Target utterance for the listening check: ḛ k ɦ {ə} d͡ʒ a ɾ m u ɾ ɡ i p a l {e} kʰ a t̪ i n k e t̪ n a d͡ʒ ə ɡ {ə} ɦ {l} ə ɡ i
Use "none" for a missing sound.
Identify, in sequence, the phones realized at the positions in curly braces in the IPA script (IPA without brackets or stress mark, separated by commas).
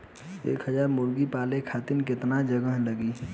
ə, e, ə, l